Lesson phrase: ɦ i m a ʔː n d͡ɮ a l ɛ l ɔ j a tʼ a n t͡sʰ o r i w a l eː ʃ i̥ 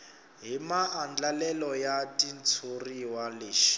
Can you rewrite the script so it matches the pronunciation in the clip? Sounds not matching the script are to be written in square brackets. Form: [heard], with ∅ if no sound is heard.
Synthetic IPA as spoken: ɦ i m a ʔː n d͡ɮ a l ɛ l ɔ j a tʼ [i] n t͡sʰ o r i w a l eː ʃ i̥